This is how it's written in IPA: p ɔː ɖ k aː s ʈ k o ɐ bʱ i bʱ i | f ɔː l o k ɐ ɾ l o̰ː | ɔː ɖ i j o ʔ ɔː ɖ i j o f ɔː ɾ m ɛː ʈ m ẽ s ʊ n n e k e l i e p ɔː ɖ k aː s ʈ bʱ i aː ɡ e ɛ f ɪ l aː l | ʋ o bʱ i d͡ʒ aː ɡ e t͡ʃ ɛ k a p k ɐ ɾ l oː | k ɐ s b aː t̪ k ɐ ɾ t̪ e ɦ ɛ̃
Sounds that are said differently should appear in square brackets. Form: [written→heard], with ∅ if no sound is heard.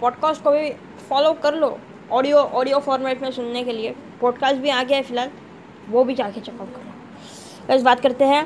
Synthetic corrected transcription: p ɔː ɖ k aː s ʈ k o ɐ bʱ i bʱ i | f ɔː l o k ɐ ɾ l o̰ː | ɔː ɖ i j o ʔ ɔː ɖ i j o f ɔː ɾ m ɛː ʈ m ẽ s ʊ n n e k e l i e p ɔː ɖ k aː s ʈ bʱ i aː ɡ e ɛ f ɪ l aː l | ʋ o bʱ i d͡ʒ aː [ɡ→k] e t͡ʃ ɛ k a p k ɐ ɾ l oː | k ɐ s b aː t̪ k ɐ ɾ t̪ e ɦ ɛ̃